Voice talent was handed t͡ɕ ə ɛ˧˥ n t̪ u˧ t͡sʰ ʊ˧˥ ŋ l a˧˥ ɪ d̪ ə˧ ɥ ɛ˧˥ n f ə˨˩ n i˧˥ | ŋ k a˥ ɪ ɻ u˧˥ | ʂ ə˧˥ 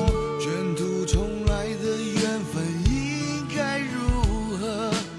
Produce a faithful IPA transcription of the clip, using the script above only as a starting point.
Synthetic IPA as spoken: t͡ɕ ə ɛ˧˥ n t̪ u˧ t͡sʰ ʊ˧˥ ŋ l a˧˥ ɪ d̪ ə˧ ɥ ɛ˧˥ n f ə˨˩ n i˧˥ | ŋ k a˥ ɪ ɻ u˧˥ | x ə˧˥